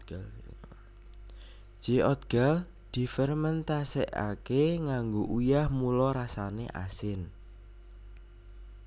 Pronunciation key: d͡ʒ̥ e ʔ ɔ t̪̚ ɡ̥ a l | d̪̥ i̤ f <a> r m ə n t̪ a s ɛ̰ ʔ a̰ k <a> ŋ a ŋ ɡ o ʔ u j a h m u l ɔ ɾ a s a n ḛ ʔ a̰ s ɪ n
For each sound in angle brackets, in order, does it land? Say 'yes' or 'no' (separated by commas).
no, no